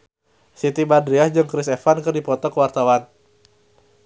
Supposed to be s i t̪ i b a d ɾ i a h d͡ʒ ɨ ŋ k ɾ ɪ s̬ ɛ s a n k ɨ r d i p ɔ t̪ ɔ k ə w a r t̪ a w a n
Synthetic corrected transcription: s i t̪ i b a d ɾ i a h d͡ʒ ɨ ŋ k ɾ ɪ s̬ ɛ f a n k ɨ r d i p ɔ t̪ ɔ k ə w a r t̪ a w a n